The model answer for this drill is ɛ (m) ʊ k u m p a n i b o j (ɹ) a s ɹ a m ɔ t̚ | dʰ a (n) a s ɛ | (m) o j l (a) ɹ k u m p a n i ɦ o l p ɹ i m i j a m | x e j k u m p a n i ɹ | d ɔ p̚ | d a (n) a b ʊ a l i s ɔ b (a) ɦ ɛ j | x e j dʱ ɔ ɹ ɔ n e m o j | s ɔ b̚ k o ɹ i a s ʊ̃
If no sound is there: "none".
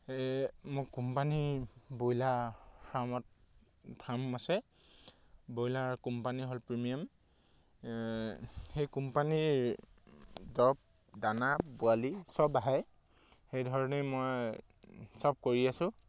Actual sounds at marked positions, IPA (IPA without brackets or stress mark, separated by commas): m, l, m, b, a, n, a